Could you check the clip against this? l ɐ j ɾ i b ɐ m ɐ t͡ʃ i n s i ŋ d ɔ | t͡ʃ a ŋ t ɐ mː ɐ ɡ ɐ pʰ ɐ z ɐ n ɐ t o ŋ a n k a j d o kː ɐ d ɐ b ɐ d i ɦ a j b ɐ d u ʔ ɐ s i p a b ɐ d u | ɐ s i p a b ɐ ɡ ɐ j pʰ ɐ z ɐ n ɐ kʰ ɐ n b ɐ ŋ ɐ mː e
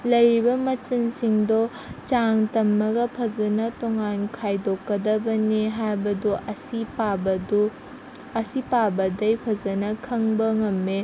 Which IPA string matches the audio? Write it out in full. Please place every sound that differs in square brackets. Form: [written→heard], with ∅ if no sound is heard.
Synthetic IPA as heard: l ɐ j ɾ i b ɐ m ɐ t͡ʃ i n s i ŋ d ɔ | t͡ʃ a ŋ t ɐ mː ɐ ɡ ɐ pʰ ɐ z ɐ n ɐ t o ŋ a n [k→kʰ] a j d o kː ɐ d ɐ b ɐ [d→n] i ɦ a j b ɐ d u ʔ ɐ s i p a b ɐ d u | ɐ s i p a b ɐ [ɡ→d] ɐ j pʰ ɐ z ɐ n ɐ kʰ ɐ [n→ŋ] b ɐ ŋ ɐ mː e